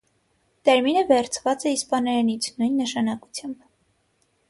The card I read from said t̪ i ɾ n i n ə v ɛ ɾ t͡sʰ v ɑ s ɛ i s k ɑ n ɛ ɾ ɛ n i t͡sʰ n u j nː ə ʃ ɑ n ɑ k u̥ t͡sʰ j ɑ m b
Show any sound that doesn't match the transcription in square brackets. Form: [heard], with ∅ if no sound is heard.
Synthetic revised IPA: t̪ [ɛ] ɾ [m] i n ə v ɛ ɾ t͡sʰ v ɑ [t͡s] ɛ i s [p] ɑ n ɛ ɾ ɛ n i t͡sʰ n u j nː ə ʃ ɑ n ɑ k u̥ t͡sʰ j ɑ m b